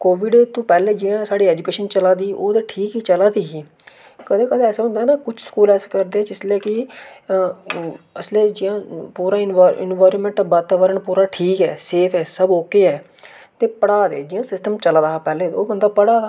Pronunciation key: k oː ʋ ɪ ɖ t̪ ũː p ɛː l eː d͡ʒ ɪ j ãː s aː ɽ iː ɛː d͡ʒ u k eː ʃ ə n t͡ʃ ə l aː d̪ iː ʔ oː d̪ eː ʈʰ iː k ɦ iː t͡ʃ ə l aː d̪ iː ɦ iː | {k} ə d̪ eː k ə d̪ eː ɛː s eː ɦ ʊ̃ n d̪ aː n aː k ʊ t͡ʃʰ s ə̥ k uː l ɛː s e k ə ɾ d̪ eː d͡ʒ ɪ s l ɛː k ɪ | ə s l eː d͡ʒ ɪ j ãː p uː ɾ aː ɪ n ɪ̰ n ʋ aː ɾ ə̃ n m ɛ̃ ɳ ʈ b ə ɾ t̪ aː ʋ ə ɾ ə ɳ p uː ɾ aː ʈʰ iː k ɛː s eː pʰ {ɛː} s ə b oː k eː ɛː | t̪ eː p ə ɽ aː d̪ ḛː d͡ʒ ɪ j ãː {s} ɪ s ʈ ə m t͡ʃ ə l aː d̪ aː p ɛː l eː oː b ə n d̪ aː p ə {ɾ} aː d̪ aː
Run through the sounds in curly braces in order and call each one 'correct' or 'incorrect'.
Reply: correct, correct, correct, incorrect: ɽ

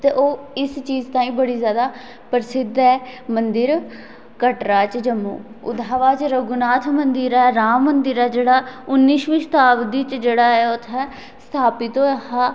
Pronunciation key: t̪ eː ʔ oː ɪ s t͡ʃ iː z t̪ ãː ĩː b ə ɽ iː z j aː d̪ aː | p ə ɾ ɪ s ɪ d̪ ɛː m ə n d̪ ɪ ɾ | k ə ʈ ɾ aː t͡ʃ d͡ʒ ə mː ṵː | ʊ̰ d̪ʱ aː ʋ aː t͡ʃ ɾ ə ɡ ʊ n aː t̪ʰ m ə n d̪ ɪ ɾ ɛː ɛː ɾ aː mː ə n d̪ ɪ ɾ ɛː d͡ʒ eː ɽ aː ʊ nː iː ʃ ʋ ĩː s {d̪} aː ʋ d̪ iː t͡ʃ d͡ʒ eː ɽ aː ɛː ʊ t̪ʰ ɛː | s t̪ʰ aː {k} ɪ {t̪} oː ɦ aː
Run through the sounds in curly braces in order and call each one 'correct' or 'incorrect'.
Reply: incorrect: t̪, incorrect: p, correct

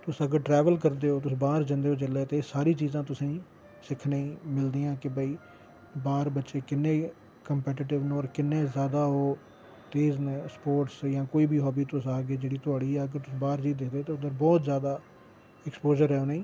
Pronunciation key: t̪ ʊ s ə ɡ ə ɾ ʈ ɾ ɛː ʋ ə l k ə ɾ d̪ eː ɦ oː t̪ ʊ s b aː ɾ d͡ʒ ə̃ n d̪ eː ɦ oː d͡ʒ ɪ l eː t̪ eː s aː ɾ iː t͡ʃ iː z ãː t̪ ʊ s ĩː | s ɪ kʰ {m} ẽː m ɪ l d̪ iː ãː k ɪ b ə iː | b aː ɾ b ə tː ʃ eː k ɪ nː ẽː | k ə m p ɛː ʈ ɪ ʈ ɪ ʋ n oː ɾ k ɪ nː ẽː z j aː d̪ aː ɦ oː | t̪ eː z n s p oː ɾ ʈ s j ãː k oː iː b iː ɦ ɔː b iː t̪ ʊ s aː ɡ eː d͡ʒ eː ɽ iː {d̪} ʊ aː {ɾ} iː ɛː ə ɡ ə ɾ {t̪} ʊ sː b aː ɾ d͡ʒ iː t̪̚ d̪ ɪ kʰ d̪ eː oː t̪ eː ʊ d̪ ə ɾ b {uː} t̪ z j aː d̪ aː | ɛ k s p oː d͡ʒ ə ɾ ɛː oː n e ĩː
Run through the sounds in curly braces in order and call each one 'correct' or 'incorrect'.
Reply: incorrect: n, incorrect: t̪, incorrect: ɽ, correct, incorrect: ɔː

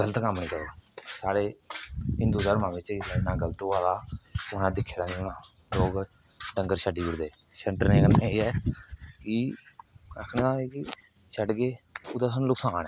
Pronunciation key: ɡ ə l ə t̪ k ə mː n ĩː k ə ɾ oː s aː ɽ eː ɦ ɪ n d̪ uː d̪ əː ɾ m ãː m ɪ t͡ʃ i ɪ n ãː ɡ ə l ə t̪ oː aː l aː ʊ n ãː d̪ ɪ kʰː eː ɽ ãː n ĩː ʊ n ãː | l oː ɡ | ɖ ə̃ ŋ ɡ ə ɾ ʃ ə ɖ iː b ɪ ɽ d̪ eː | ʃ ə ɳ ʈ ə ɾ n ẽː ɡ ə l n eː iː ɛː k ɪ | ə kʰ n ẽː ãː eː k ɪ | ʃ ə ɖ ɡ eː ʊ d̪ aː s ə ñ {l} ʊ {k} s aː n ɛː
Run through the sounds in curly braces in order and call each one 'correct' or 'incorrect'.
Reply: correct, correct

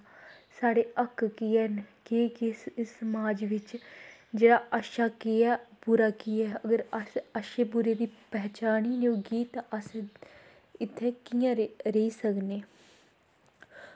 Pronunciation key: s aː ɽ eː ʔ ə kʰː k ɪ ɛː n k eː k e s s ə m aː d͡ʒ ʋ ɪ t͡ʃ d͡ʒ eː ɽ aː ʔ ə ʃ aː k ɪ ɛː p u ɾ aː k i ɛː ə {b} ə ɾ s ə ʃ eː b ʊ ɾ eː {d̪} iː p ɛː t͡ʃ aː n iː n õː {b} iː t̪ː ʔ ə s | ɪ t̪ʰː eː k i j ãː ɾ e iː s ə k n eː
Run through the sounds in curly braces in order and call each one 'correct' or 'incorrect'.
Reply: incorrect: ɡ, correct, incorrect: ɡ

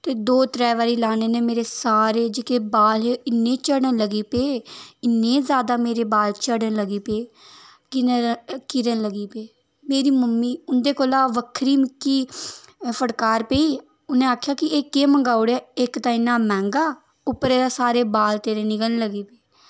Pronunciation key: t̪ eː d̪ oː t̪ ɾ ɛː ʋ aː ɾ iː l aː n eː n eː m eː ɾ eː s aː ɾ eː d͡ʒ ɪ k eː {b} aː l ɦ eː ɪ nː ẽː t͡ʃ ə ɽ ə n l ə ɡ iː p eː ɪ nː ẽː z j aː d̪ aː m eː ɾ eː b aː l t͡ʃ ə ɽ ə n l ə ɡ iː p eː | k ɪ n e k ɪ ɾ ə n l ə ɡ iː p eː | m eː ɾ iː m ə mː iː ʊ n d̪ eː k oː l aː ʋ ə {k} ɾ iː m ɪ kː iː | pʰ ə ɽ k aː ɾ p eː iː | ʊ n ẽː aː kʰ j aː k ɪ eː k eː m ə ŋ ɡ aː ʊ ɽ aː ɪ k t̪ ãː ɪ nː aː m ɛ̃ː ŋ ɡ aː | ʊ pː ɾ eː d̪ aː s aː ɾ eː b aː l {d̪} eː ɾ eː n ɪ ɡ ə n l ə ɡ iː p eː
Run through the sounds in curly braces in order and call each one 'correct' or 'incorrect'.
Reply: correct, incorrect: kʰ, incorrect: t̪

